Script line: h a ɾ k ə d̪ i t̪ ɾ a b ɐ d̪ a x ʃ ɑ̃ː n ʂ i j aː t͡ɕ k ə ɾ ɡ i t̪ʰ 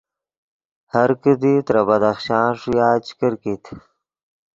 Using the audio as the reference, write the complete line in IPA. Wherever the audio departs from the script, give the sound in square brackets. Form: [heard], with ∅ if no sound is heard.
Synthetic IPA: h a ɾ k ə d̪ i t̪ ɾ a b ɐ d̪ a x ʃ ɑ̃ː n ʂ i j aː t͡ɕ k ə ɾ [k] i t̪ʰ